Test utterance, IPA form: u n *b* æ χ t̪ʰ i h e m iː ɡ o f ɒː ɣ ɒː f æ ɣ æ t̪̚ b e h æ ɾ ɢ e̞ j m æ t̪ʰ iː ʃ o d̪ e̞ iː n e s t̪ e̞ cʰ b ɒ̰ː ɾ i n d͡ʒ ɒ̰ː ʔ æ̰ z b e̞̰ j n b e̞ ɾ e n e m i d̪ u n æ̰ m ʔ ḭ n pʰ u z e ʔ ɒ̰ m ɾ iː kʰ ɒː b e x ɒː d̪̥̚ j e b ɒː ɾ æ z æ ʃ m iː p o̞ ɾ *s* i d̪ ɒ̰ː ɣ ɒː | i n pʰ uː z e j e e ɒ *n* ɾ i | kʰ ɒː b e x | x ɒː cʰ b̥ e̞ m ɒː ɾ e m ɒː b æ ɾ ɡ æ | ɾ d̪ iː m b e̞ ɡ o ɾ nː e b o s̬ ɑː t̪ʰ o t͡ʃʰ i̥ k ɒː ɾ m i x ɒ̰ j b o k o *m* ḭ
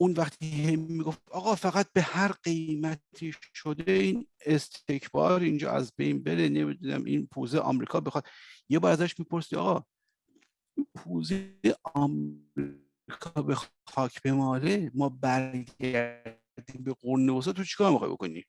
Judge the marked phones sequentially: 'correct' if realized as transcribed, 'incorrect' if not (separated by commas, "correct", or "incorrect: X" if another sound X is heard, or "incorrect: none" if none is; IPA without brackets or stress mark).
incorrect: v, correct, incorrect: m, incorrect: n